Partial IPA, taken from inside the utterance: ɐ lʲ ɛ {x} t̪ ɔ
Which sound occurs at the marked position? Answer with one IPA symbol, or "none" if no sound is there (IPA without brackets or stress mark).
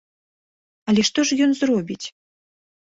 ʂ